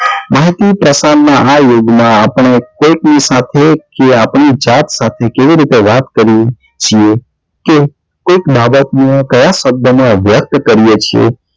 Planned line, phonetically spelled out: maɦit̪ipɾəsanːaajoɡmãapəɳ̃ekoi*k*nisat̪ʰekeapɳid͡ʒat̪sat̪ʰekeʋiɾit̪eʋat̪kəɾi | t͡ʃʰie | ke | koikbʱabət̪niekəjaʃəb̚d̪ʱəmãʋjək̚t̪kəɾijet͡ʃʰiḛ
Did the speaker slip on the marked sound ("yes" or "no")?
no